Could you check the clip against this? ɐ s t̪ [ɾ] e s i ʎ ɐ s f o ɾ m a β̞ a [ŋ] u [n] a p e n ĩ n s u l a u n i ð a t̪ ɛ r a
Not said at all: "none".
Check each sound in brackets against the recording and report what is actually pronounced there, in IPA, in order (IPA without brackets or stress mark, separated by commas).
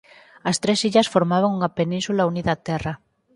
ɾ, ŋ, ŋ